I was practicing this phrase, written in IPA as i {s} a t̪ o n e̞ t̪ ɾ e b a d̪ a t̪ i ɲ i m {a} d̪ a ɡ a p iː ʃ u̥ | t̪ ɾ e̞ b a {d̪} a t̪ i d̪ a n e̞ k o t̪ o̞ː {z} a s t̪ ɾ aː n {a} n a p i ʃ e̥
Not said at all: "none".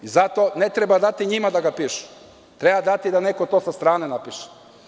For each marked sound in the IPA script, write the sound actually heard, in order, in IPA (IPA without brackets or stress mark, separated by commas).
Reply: z, a, d̪, s, e